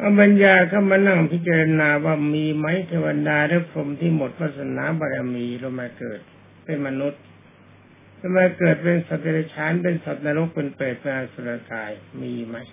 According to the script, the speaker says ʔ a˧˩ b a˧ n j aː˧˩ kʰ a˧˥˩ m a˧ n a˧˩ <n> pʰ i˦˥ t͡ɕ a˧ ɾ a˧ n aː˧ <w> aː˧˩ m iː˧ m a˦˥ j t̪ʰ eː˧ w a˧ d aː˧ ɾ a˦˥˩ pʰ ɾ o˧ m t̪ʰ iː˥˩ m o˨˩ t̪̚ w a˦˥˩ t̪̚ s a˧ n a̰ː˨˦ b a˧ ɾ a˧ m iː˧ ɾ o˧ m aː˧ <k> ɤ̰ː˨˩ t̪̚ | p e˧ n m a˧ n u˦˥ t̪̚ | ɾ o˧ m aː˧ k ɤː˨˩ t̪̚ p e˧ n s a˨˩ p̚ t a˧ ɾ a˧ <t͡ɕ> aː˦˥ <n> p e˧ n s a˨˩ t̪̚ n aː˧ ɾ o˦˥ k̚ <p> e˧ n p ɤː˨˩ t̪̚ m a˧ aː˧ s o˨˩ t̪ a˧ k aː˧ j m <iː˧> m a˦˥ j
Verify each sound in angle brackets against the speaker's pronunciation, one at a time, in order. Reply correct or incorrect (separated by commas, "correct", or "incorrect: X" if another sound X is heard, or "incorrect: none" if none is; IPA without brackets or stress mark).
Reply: incorrect: ŋ, correct, correct, incorrect: t͡ɕʰ, correct, correct, correct